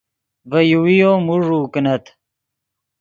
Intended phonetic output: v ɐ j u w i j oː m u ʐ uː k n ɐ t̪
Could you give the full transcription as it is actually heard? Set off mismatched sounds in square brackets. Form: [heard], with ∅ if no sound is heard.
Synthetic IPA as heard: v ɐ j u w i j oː m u ʐ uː k n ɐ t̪